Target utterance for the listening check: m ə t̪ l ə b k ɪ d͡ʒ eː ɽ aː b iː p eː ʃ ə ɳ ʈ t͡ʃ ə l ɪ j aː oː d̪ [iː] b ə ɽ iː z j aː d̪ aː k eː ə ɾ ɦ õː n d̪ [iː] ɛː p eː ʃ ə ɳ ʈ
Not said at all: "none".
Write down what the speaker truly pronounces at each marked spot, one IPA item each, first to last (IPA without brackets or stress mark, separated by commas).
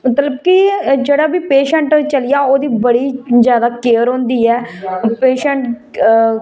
iː, iː